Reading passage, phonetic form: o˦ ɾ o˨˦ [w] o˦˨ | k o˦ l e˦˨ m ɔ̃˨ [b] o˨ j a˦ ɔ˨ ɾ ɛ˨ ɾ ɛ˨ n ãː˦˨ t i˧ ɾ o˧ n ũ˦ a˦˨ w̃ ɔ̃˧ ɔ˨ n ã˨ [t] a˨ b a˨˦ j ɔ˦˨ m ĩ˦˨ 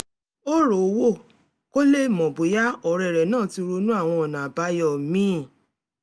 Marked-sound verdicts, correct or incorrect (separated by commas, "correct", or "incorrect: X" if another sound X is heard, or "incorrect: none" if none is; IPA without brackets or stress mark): correct, correct, incorrect: none